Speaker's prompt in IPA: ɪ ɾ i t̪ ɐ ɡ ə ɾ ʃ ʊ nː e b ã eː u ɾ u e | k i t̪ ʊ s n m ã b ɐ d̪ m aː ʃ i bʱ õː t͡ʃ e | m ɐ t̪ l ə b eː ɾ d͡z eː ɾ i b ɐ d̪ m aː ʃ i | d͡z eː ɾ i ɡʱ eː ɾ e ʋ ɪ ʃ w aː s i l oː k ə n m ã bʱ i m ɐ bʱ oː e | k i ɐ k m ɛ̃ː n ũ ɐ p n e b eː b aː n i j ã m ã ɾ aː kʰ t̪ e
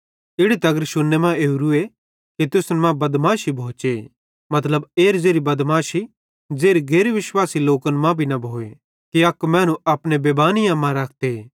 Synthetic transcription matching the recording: ɪ ɽ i t̪ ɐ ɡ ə ɾ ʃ ʊ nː e m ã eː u ɾ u e | k i t̪ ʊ s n m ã b ɐ d̪ m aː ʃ i bʱ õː t͡ʃ e | m ɐ t̪ l ə b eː ɾ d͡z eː ɾ i b ɐ d̪ m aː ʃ i | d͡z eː ɾ i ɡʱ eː ɾ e ʋ ɪ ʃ w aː s i l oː k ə n m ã bʱ i n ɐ bʱ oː e | k i ɐ k m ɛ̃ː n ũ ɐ p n e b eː b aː n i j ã m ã ɾ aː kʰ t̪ e

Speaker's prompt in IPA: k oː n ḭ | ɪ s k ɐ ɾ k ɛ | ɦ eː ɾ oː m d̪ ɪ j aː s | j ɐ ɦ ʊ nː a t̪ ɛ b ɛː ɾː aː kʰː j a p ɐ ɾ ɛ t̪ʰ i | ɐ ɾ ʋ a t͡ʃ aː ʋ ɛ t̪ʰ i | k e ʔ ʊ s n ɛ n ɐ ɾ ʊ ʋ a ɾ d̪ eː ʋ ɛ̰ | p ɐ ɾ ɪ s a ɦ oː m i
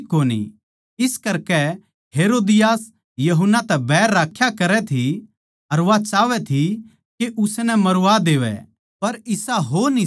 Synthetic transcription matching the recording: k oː n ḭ | ɪ s k ɐ ɾ k ɛ | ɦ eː ɾ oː d̪ ɪ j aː s | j ɐ ɦ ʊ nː a t̪ ɛ b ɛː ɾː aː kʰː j a k ɐ ɾ ɛ t̪ʰ i | ɐ ɾ ʋ a t͡ʃ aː ʋ ɛ t̪ʰ i | k e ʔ ʊ s n ɛ m ɐ ɾ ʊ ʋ a d̪ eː ʋ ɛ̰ | p ɐ ɾ ɪ s a ɦ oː n i

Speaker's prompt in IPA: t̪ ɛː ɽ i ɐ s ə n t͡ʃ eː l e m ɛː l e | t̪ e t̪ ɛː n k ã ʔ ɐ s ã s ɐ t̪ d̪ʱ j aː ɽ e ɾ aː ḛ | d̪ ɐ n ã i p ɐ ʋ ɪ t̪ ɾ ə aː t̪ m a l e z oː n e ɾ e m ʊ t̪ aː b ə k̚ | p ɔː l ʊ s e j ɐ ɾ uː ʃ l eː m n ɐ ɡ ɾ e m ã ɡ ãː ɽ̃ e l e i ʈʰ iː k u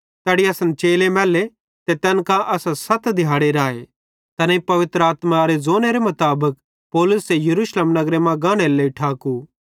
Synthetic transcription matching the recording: t̪ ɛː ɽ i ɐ s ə n t͡ʃ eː l e m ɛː l e | t̪ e t̪ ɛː n k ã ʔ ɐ s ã s ɐ t̪ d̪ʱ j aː ɽ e ɾ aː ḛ | t̪ ɐ n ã i p ɐ ʋ ɪ t̪ ɾ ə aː t̪ m a ɾ e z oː n e ɾ e m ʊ t̪ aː b ə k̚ | p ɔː l ʊ s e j ɐ ɾ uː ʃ l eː m n ɐ ɡ ɾ e m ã ɡ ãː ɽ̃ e l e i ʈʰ aː k u

